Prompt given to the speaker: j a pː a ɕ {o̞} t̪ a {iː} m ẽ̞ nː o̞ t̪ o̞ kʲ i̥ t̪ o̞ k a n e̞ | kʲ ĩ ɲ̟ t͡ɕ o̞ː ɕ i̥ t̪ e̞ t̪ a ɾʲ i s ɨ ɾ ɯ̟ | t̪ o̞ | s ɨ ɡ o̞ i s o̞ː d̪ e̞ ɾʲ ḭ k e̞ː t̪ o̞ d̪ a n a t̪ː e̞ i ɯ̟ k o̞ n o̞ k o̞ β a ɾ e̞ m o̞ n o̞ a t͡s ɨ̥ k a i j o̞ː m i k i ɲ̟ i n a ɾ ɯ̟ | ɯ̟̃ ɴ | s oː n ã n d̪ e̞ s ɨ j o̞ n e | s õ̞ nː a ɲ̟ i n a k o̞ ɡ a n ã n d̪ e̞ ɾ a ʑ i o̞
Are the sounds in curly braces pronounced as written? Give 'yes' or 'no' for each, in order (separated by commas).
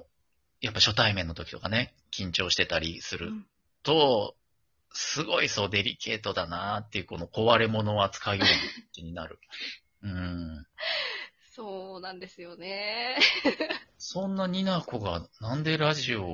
yes, no